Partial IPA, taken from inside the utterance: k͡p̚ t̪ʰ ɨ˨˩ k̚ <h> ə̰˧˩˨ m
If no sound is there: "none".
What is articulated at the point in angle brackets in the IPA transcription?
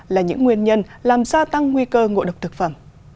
f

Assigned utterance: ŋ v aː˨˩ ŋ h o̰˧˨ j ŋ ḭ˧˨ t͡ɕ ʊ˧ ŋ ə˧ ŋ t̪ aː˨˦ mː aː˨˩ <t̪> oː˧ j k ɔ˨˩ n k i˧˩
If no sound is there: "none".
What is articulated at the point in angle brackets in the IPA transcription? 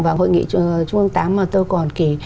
t̪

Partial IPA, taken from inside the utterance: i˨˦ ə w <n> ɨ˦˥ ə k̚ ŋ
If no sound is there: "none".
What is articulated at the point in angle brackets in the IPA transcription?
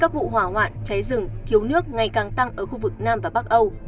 n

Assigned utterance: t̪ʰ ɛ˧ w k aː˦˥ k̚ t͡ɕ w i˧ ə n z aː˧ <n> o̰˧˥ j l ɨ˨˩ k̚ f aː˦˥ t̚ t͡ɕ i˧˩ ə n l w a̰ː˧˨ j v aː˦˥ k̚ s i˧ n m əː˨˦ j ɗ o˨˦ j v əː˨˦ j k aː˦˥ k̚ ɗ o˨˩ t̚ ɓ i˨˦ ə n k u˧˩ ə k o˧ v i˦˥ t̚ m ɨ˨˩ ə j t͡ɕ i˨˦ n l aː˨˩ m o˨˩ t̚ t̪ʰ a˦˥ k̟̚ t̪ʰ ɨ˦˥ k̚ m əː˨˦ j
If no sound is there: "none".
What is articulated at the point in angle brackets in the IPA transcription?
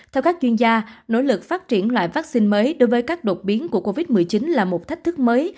n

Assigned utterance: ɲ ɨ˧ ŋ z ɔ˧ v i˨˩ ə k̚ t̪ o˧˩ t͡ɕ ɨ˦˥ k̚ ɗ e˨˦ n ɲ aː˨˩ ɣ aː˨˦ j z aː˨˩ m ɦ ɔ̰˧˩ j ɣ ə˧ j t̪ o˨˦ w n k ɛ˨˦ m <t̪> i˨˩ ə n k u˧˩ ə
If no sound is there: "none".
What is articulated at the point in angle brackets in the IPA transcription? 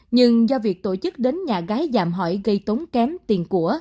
t̪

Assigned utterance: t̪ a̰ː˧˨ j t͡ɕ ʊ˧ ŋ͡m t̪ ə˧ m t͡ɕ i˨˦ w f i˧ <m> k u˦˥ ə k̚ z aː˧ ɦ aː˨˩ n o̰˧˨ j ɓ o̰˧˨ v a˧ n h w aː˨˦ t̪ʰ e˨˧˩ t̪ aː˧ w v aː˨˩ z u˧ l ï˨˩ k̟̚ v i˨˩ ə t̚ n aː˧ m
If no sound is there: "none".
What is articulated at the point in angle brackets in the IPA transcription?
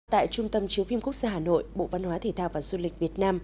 m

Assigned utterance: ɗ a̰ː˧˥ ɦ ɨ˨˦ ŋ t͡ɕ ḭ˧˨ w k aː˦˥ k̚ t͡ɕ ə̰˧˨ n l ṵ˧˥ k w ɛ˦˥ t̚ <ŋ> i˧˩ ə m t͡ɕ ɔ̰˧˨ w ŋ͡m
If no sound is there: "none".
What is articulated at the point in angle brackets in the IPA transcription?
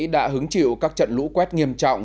ŋ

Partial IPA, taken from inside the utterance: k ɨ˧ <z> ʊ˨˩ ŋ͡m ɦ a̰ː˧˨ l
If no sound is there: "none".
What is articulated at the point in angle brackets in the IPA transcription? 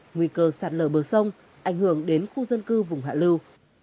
v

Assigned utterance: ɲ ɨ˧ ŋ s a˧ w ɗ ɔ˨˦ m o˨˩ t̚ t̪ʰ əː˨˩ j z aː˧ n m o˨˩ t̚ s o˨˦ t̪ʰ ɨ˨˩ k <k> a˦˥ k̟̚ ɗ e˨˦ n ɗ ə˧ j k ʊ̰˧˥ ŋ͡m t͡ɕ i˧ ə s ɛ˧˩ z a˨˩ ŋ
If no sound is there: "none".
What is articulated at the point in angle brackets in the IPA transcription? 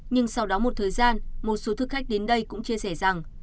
x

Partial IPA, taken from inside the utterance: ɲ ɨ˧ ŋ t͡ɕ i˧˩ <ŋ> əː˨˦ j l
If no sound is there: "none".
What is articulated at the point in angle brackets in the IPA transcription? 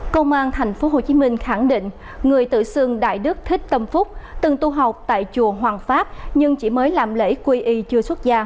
m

